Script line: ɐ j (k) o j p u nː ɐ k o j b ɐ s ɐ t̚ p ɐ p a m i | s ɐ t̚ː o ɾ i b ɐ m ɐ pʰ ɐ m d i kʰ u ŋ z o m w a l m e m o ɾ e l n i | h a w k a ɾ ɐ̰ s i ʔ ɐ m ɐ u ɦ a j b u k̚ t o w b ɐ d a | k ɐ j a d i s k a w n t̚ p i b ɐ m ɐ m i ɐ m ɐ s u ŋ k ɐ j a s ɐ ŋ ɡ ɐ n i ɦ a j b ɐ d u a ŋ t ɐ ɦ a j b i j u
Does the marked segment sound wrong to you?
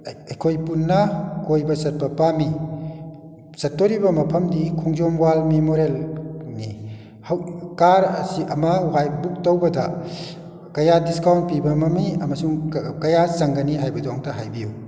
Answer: yes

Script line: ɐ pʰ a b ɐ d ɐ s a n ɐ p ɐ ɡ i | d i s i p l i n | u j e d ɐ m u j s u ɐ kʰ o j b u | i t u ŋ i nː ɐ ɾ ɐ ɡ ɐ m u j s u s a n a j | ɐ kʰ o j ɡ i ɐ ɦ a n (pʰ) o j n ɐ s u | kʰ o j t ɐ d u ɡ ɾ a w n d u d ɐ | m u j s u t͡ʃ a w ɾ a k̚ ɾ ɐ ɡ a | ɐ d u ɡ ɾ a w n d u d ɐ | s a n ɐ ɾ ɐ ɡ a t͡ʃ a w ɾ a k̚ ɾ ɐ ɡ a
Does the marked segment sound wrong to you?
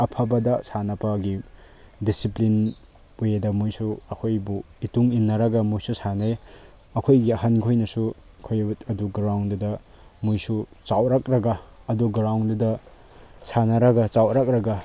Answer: yes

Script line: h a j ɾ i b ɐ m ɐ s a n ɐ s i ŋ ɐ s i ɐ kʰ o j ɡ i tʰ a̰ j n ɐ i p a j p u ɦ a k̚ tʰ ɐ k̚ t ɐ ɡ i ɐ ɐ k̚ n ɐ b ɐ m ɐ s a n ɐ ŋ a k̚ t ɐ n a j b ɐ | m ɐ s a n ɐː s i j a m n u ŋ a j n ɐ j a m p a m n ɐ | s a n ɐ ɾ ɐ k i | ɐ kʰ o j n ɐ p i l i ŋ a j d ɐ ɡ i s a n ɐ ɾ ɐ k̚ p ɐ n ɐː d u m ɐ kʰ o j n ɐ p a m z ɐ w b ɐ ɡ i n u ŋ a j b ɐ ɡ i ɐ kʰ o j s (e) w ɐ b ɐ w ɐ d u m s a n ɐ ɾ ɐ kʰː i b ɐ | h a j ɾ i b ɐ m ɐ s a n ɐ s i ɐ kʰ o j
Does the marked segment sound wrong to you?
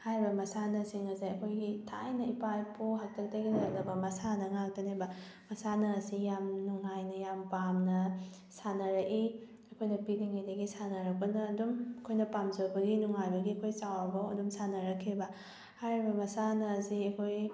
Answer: yes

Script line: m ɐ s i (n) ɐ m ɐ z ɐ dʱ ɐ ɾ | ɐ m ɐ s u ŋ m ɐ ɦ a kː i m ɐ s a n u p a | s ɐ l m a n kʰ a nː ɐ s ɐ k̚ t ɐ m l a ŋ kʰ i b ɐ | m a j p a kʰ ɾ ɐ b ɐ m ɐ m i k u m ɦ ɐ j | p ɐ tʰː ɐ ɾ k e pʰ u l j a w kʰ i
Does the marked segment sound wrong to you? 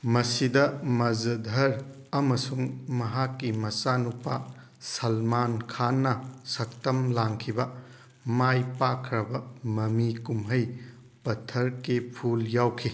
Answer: yes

